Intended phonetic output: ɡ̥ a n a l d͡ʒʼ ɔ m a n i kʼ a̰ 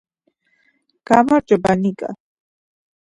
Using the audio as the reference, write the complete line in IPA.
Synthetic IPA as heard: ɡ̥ a m a ɾ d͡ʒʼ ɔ b a n i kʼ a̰